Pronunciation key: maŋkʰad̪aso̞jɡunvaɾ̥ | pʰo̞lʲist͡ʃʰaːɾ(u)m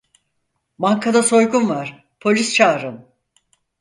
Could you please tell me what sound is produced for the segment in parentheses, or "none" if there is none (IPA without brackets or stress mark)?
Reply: ɯ